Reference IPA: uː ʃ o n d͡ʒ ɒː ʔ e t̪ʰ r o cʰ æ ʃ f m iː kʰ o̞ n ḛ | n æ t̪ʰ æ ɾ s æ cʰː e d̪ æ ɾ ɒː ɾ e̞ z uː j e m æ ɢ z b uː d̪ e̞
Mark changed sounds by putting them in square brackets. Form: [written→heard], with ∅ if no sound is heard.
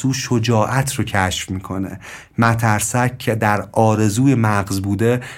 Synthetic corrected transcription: uː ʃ o [n→∅] d͡ʒ ɒː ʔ [e→æ] t̪ʰ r o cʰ æ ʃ f m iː kʰ o̞ n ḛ | [n→m] æ t̪ʰ æ ɾ s æ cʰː e d̪ æ ɾ ɒː ɾ e̞ z uː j e m æ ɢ z b uː d̪ e̞